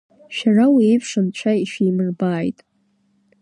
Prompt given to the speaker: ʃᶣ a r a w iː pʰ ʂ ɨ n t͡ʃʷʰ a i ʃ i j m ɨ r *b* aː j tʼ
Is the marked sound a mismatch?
no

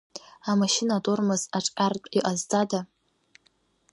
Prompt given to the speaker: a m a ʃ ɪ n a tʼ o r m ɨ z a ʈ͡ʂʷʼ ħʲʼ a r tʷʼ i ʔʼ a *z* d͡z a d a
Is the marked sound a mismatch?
no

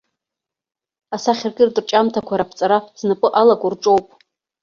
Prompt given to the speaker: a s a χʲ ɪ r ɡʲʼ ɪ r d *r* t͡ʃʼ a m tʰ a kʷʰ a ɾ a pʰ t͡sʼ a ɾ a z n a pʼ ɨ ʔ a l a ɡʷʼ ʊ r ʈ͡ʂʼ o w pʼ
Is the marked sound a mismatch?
no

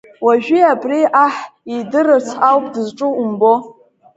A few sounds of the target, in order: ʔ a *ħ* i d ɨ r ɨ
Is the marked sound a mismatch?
no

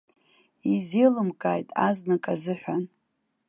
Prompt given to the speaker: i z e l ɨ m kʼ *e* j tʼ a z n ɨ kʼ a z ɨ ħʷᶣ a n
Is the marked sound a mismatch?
yes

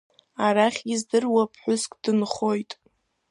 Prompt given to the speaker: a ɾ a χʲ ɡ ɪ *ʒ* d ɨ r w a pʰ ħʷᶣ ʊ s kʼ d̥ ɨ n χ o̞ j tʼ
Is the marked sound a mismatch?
yes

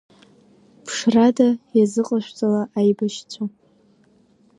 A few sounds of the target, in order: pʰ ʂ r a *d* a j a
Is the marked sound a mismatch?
no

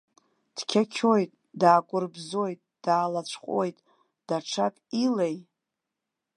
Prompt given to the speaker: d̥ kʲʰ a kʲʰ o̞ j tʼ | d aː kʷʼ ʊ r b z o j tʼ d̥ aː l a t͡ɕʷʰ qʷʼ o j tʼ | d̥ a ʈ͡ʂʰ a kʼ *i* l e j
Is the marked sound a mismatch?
no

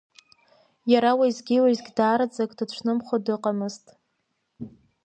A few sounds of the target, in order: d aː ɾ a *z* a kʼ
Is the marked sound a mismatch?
yes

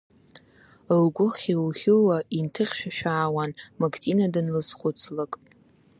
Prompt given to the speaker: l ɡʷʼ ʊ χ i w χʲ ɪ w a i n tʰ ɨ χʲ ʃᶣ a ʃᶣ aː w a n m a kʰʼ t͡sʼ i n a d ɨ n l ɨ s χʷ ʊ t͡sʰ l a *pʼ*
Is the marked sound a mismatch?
yes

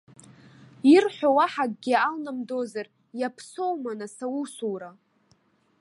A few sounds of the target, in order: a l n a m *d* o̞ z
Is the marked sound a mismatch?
no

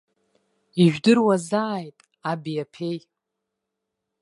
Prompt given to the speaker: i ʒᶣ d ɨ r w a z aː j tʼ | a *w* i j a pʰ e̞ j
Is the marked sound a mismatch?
yes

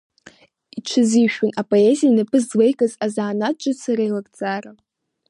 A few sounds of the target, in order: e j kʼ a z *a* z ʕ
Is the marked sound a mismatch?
no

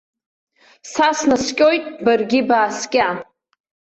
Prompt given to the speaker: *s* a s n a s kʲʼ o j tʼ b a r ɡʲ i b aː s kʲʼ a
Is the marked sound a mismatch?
no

